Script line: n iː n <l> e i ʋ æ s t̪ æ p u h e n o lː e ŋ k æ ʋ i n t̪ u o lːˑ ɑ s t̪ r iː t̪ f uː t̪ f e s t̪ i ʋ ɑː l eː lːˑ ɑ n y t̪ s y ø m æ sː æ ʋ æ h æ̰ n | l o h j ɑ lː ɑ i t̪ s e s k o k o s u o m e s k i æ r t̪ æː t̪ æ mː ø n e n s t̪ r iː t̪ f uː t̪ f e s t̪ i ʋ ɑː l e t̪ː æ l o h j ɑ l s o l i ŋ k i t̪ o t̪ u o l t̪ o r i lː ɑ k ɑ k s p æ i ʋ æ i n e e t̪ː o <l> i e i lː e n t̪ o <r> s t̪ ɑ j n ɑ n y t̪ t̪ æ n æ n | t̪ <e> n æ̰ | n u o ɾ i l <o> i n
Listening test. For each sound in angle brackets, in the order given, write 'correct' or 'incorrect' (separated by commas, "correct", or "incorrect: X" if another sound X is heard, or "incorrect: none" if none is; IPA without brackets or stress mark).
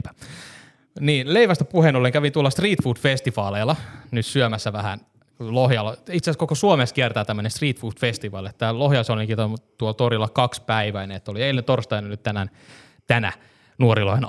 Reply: correct, correct, correct, incorrect: æ, correct